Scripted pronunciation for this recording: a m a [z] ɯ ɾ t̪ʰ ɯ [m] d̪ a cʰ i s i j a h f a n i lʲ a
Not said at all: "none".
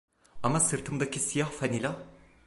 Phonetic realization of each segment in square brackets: s, m

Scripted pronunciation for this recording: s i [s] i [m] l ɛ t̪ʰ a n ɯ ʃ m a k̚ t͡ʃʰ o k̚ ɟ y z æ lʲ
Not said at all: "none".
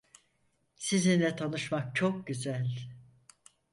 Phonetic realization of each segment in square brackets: z, n

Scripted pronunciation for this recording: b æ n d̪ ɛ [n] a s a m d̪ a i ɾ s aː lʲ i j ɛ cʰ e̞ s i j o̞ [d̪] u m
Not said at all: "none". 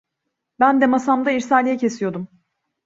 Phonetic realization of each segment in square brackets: m, d̪

